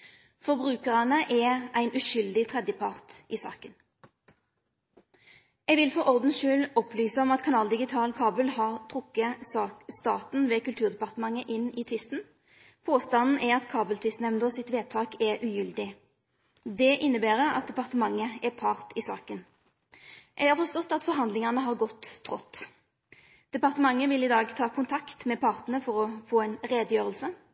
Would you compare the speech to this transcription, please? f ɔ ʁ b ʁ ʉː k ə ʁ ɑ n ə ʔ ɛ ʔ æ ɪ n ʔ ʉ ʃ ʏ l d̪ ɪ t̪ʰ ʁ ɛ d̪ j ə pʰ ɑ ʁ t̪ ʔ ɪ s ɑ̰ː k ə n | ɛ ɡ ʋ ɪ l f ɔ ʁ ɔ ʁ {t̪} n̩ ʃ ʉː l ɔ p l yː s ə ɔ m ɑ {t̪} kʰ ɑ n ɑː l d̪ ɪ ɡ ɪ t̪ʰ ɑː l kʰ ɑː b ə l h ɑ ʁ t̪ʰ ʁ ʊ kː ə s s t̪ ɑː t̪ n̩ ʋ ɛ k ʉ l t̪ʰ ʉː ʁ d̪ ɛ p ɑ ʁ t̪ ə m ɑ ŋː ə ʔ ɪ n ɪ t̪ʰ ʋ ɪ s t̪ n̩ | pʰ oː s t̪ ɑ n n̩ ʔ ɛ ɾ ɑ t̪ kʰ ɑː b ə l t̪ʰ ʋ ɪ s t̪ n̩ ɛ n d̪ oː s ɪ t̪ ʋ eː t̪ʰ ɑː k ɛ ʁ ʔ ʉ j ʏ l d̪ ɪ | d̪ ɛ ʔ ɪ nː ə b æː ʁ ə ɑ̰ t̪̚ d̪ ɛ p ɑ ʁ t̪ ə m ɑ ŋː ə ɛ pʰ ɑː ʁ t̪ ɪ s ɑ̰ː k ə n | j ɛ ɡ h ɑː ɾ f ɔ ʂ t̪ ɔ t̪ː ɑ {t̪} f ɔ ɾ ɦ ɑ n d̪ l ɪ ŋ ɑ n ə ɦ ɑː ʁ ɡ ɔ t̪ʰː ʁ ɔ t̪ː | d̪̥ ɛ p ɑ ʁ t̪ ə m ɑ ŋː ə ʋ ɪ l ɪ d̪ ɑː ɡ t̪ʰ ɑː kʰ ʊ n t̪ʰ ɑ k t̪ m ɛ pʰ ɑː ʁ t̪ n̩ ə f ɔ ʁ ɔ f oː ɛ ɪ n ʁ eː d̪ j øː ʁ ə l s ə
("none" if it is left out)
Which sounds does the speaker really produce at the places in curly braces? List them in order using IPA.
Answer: d̪, t̪, t̪

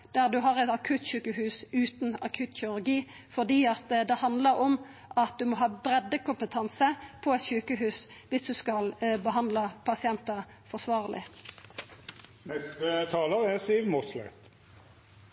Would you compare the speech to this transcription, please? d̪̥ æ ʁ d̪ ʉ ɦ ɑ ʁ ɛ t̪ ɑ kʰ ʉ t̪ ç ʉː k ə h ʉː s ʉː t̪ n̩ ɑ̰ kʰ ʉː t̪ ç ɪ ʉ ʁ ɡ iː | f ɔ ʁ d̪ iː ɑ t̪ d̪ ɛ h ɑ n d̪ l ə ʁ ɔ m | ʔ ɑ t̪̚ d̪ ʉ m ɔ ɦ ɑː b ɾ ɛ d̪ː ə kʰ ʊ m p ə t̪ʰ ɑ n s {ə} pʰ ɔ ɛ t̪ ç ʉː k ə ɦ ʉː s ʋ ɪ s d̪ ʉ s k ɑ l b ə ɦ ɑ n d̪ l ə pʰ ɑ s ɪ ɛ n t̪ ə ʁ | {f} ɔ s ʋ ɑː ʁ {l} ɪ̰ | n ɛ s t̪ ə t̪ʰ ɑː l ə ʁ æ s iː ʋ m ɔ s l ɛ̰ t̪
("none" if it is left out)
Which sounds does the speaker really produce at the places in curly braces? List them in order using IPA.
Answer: ə, f, l

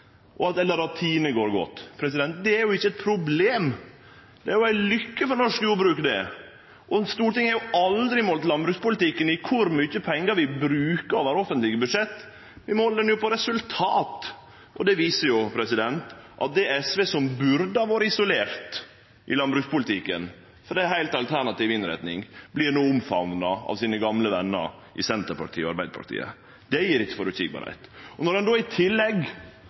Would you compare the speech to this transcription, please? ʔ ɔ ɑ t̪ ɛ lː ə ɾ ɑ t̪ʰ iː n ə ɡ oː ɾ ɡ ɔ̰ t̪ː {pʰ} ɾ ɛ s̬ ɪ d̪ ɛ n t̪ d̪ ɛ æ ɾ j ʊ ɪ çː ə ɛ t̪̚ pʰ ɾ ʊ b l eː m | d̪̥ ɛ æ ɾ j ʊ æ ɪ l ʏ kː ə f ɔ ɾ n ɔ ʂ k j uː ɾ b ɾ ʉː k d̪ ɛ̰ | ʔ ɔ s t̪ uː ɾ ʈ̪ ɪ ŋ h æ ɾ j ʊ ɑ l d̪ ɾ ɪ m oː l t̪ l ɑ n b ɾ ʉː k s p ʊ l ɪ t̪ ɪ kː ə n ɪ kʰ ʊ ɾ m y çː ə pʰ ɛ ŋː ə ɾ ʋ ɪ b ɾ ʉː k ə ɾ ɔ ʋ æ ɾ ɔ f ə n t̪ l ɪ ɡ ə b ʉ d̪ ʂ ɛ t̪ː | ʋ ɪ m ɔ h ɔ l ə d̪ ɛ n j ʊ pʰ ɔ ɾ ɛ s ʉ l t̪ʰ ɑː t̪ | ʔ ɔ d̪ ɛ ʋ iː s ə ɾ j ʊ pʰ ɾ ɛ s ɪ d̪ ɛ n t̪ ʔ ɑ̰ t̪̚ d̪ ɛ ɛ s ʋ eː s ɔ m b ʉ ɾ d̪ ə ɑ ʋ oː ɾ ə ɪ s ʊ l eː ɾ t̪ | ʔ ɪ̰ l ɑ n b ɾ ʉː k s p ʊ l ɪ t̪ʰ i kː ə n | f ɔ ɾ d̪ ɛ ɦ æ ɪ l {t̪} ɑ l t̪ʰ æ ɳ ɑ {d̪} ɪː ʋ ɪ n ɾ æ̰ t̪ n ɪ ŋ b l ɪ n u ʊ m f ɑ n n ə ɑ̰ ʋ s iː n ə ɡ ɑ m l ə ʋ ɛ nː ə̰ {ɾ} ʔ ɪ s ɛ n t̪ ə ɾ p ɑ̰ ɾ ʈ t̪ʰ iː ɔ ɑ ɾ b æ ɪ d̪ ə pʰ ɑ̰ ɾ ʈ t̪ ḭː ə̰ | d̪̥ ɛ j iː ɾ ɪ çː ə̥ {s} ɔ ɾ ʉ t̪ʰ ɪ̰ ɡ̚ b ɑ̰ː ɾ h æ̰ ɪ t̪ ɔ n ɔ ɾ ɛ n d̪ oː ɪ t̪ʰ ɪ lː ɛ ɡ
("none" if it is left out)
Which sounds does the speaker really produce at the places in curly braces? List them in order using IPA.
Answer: pʰ, t̪, t̪, ɾ, f

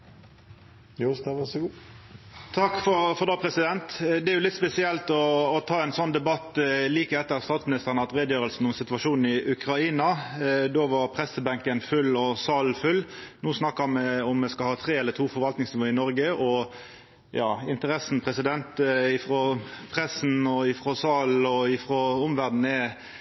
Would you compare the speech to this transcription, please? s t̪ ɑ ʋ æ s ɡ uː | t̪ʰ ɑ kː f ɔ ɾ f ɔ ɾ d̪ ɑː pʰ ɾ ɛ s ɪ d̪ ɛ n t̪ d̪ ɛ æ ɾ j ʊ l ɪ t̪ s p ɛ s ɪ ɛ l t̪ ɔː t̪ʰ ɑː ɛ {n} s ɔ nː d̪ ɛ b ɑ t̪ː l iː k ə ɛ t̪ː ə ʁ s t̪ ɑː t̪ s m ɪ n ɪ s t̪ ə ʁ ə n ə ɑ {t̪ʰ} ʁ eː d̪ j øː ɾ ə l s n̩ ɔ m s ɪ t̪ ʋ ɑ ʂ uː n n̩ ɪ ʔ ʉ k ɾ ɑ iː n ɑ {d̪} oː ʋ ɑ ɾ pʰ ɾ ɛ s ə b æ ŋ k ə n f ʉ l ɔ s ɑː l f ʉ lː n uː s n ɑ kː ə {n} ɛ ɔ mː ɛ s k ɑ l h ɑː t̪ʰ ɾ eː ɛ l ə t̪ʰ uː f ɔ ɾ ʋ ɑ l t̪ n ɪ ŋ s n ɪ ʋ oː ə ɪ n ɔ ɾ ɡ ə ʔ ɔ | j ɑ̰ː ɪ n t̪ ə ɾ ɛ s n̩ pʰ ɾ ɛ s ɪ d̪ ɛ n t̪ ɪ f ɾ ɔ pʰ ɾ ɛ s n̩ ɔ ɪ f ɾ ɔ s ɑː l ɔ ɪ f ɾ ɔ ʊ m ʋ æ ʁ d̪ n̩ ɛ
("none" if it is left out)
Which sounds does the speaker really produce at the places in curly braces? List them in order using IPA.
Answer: n, t̪, d̪, m

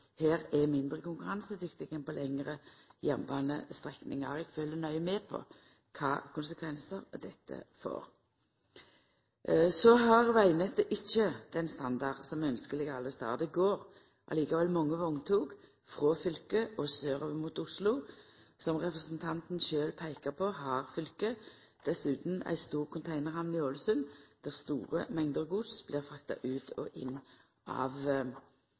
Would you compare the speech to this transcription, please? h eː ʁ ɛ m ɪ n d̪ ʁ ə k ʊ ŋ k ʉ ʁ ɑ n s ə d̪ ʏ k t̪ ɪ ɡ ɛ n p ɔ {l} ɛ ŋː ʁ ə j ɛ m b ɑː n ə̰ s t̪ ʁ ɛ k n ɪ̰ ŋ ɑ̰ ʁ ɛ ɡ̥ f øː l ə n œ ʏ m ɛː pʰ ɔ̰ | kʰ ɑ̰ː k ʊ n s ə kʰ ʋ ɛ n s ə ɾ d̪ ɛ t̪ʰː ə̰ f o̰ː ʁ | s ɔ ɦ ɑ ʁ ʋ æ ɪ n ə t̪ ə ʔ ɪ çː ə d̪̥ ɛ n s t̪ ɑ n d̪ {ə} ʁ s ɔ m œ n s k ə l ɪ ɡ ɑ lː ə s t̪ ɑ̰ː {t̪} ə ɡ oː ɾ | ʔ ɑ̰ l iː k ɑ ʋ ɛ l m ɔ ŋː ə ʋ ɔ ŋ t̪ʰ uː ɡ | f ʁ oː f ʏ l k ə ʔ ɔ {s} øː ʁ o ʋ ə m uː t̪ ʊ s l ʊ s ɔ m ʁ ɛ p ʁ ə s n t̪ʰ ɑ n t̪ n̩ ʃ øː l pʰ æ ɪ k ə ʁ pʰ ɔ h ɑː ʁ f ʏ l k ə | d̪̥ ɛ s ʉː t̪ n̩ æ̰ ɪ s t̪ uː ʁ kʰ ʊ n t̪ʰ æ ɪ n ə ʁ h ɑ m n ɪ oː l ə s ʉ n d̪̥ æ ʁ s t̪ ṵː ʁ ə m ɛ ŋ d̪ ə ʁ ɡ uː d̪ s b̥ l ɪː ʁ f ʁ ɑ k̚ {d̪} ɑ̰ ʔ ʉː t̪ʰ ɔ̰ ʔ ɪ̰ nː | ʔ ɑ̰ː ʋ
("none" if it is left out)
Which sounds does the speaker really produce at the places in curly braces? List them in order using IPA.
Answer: l, ɑ, d̪, s, t̪

